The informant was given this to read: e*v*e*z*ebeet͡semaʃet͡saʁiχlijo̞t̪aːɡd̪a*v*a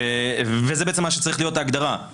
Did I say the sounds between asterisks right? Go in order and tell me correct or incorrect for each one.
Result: correct, correct, incorrect: ʁ

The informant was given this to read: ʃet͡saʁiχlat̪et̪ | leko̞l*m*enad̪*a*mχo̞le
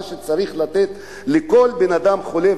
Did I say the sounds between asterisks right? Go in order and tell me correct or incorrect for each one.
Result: incorrect: b, correct

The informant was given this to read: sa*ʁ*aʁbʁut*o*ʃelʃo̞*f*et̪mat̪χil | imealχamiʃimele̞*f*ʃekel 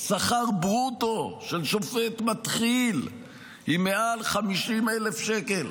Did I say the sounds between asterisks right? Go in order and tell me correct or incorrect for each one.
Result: incorrect: χ, correct, correct, correct

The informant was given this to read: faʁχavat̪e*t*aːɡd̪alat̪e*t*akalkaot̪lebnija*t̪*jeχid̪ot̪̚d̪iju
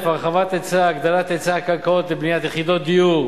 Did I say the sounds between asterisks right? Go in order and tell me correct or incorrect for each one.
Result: incorrect: t͡s, incorrect: t͡s, correct

